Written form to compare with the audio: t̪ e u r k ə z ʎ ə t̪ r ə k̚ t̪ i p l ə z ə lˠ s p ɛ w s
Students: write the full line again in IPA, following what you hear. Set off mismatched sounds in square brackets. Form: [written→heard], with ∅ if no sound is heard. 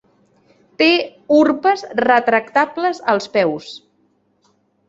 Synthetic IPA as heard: t̪ e u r [k→p] ə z [ʎ→r] ə t̪ [r→ɾ] ə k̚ t̪ [i→a] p l ə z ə lˠ s p ɛ w s